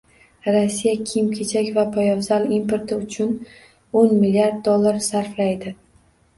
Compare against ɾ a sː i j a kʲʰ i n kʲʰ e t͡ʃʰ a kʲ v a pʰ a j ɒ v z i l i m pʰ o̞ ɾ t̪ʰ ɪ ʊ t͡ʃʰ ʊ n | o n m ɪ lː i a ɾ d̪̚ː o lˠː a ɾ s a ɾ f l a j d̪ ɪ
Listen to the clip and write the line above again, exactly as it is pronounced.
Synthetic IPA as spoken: ɾ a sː i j a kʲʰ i m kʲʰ e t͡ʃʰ a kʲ v a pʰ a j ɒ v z a l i m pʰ o̞ ɾ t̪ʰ ɪ ʊ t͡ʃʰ ʊ n | o n m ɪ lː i a ɾ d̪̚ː o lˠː a ɾ s a ɾ f l a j d̪ ɪ